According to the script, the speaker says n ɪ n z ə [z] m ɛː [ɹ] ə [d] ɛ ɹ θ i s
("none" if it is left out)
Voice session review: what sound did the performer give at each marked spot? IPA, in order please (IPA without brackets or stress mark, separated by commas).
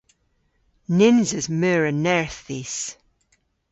z, ɹ, n